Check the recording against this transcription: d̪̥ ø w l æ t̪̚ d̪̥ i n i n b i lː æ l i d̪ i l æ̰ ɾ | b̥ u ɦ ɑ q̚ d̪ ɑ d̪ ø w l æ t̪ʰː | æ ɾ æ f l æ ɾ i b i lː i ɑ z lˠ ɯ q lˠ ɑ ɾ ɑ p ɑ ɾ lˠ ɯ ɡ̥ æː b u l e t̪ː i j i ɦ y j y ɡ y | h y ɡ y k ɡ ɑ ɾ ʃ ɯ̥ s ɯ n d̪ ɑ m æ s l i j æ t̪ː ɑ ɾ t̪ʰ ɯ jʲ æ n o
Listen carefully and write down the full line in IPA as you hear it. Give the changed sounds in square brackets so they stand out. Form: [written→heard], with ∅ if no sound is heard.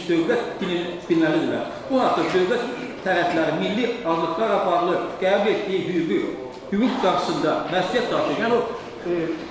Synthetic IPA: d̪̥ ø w l æ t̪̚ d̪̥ i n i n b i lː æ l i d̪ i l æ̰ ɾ | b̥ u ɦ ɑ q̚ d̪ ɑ d̪ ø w l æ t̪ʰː | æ ɾ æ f l æ ɾ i [b→m] i lː i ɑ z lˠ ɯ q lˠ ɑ ɾ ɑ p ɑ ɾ lˠ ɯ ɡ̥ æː b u l e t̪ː i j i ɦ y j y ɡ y | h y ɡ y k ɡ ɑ ɾ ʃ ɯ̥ s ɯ n d̪ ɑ m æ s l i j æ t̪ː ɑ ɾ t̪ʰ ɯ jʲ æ n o

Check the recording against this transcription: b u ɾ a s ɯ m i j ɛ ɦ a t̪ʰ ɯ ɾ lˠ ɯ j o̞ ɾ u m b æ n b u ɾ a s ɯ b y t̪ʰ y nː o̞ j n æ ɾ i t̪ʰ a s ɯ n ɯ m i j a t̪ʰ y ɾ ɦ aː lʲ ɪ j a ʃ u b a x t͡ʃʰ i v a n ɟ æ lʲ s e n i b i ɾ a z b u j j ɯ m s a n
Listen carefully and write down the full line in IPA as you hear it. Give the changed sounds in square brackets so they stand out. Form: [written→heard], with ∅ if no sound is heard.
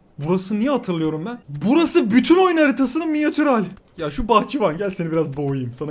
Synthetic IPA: b u ɾ a s ɯ [m→n] i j ɛ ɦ a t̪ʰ ɯ ɾ lˠ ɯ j o̞ ɾ u m b æ n b u ɾ a s ɯ b y t̪ʰ y [nː→n] o̞ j n [æ→a] ɾ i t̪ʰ a s ɯ n ɯ m i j a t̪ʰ y ɾ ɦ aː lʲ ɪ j a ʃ u b a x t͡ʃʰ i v a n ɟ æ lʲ s e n i b i ɾ a z b [u→o] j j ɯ m s a n

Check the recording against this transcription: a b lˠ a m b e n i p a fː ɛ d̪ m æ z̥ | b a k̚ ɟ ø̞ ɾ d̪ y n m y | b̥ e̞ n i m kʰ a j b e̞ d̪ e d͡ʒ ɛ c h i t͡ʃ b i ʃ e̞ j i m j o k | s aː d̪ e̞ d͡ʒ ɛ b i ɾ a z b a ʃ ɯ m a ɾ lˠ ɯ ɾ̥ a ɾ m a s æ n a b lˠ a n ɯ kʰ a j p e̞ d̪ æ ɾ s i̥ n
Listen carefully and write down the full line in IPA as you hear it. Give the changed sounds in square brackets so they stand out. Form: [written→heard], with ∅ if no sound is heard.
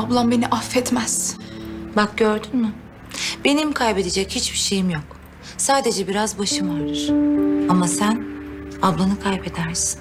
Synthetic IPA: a b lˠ a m b e n i [p→ʔ] a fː ɛ [d̪→t̪] m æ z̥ | b a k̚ ɟ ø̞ ɾ d̪ y n m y | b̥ e̞ n i m kʰ a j b e̞ d̪ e d͡ʒ ɛ c h i t͡ʃ b i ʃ e̞ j i m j o k | s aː d̪ e̞ d͡ʒ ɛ b i ɾ a z b a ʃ ɯ m a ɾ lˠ ɯ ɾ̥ a [ɾ→∅] m a s æ n a b lˠ a n ɯ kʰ a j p e̞ d̪ æ ɾ s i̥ n

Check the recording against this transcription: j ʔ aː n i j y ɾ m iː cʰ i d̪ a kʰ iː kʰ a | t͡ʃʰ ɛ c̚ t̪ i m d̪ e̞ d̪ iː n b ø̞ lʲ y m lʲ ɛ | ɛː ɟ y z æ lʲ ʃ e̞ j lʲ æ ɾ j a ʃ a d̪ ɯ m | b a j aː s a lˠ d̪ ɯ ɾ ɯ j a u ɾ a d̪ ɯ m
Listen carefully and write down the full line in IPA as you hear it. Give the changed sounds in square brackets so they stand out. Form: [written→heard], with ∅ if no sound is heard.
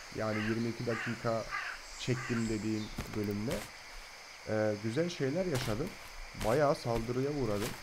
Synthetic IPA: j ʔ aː n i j [y→i] ɾ m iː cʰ i d̪ a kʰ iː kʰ a | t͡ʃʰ ɛ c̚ t̪ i m d̪ e̞ d̪ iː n b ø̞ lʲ y m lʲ ɛ | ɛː ɟ y z æ lʲ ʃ e̞ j lʲ æ ɾ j a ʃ a d̪ ɯ m | b a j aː s a lˠ d̪ ɯ ɾ ɯ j a u ɾ a d̪ ɯ m

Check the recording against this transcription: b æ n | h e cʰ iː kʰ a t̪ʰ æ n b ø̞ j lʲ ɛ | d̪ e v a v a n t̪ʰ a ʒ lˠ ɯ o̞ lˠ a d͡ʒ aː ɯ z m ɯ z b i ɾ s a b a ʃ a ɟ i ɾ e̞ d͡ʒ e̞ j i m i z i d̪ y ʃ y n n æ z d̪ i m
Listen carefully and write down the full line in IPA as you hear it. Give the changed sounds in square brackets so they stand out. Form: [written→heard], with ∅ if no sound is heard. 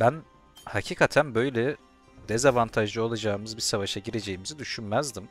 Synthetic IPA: b æ n | h [e→a] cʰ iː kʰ a t̪ʰ æ n b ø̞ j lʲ ɛ | d̪ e [v→z] a v a n t̪ʰ a ʒ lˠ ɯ o̞ lˠ a d͡ʒ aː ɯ [z→∅] m ɯ z b i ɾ s a [b→v] a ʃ a ɟ i ɾ e̞ d͡ʒ e̞ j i m i z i d̪ y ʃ y n [n→m] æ z d̪ i m

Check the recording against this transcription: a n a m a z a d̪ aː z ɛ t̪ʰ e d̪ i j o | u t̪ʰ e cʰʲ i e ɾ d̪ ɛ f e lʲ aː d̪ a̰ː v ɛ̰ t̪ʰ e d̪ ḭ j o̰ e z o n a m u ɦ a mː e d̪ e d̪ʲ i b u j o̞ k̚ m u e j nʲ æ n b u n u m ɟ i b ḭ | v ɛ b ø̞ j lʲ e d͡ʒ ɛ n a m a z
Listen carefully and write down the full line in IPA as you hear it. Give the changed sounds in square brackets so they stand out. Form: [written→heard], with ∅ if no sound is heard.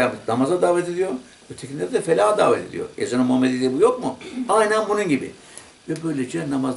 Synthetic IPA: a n a m a z a d̪ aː [z→v] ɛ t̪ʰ e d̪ i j o | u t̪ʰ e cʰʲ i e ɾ d̪ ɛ f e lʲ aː d̪ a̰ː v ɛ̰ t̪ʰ e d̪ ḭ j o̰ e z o n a m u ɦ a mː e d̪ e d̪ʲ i b u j o̞ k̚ m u [e→a] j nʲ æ n b u n u [m→n] ɟ i b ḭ | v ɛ b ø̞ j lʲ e d͡ʒ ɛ n a m a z

